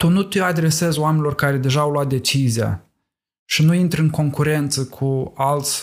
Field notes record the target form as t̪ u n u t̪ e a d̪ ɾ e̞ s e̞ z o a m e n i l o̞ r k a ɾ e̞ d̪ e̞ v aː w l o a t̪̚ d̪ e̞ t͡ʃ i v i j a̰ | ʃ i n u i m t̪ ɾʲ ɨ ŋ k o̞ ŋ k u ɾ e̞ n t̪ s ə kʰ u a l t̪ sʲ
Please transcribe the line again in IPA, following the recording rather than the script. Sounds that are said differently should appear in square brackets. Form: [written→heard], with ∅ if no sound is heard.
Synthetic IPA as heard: t̪ u n u t̪ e a d̪ ɾ e̞ s e̞ z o a m e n i l o̞ r k a ɾ e̞ d̪ e̞ [v→ʒ] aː w l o a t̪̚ d̪ e̞ t͡ʃ i [v→z] i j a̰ | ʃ i n u i [m→n] t̪ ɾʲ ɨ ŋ k o̞ ŋ k u ɾ e̞ n t̪ s ə kʰ u a l t̪ sʲ